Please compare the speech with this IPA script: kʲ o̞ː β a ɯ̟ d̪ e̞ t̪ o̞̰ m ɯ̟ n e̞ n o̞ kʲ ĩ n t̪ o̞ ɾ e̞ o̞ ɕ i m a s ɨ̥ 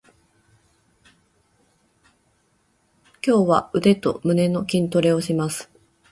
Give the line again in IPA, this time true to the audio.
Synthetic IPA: kʲ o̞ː β a ɯ̟ d̪ e̞ t̪ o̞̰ m ɯ̟ n e̞ n o̞ kʲ ĩ n t̪ o̞ ɾ e̞ o̞ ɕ i m a s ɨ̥